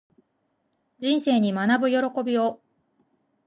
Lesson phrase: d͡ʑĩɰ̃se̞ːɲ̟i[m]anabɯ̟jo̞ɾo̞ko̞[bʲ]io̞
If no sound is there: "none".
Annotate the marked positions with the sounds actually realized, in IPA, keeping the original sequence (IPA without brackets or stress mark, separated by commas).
m, bʲ